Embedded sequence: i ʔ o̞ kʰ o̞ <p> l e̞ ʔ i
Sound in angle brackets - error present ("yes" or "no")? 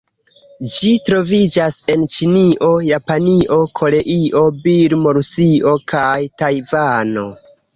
yes